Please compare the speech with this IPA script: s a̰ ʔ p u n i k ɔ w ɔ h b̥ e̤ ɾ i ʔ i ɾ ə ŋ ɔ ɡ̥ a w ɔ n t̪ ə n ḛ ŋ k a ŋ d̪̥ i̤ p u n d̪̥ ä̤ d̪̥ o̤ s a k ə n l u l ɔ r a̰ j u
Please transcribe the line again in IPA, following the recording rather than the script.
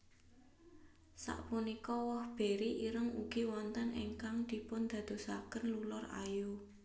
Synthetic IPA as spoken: s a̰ ʔ p u n i k ɔ w ɔ h b̥ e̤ ɾ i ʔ i ɾ ə ŋ u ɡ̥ i w ɔ n t̪ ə n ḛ ŋ k a ŋ d̪̥ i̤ p ʊ n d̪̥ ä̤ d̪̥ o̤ s a k ə n l u l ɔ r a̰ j u